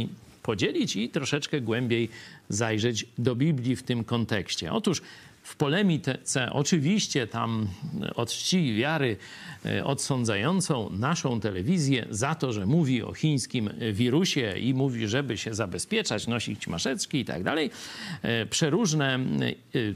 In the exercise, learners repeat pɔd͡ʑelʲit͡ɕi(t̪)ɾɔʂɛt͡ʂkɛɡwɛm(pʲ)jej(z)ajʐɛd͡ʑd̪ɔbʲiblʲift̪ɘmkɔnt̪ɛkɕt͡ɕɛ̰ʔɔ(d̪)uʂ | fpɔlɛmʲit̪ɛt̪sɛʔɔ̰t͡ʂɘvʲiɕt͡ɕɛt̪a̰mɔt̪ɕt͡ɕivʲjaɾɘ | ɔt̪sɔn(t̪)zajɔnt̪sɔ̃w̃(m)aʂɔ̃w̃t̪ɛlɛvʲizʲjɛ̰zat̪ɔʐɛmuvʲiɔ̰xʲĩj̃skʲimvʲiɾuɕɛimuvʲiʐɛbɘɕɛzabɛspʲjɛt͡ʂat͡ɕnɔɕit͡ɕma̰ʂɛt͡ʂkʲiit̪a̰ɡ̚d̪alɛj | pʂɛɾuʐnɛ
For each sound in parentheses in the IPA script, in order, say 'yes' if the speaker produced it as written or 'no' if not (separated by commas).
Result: yes, no, yes, no, no, no